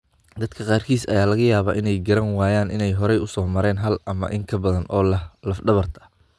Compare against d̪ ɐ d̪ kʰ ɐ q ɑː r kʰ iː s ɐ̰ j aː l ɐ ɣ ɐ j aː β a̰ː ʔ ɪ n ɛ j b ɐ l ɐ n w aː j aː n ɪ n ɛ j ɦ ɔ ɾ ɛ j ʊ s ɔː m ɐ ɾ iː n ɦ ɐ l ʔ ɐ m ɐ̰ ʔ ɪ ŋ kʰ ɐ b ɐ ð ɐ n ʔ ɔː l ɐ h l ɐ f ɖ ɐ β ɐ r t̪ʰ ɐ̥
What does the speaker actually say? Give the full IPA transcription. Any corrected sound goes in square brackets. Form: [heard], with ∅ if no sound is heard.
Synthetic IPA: d̪ ɐ d̪ kʰ ɐ q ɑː r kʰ iː s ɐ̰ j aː l ɐ ɣ ɐ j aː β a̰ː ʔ ɪ n ɛ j [ɡ] ɐ [ɾ] ɐ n w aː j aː n ɪ n ɛ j ɦ ɔ ɾ ɛ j ʊ s ɔː m ɐ ɾ [ɛː] n ɦ ɐ l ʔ ɐ m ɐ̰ ʔ ɪ ŋ kʰ ɐ b ɐ ð ɐ n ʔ ɔː l ɐ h l ɐ f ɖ ɐ β ɐ r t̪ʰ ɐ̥